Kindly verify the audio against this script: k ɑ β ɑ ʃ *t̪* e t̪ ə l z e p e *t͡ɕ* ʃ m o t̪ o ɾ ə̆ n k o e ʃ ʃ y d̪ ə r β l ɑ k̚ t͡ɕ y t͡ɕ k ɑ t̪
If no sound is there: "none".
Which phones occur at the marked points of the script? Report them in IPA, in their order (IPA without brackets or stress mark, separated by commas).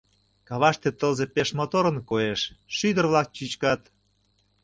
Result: t̪, none